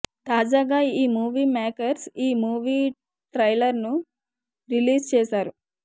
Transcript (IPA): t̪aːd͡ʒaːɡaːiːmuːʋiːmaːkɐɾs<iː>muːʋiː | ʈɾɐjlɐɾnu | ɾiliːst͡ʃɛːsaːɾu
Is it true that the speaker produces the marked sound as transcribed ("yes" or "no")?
yes